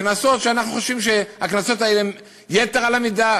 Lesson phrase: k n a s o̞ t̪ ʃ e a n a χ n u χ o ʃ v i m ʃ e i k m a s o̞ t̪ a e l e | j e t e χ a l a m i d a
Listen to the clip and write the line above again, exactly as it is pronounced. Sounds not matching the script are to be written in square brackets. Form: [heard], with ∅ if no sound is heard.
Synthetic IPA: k n a s o̞ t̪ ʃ e a n a χ n u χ o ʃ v i m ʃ e [a] k [n] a s o̞ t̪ a e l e | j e t e [ʁ] a l a m i d a